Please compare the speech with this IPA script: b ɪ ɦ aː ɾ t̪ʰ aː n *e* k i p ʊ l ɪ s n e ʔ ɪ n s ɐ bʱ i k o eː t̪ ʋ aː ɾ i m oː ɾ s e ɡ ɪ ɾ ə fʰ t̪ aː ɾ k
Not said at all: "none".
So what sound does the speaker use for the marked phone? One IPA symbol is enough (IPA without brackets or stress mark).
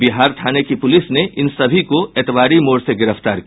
e